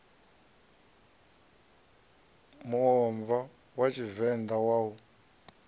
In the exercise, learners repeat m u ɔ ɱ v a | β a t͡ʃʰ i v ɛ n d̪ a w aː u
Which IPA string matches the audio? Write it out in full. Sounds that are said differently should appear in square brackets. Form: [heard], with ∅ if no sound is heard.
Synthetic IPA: m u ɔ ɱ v a | [w] a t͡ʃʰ i v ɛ n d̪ a w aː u